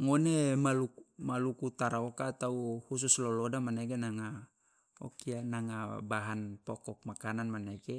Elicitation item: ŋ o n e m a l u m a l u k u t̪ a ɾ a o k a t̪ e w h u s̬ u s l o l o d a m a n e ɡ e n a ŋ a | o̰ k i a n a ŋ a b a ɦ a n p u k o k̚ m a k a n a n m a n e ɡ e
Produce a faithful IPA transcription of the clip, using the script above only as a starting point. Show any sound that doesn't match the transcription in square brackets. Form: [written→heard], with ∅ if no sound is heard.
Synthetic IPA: ŋ o n e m a l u m a l u k u t̪ a ɾ a o k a t̪ [e→a] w h u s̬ u s l o l o d a m a n e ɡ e n a ŋ a | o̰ k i a n a ŋ a b a ɦ a n p [u→o] k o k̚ m a k a n a n m a n e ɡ e